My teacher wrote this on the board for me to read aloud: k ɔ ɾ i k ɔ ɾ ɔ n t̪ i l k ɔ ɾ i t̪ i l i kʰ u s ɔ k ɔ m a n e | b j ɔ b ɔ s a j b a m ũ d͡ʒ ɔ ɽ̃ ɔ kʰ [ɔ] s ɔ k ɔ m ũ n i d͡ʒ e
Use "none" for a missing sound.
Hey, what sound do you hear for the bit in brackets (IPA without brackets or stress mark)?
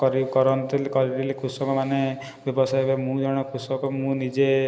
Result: u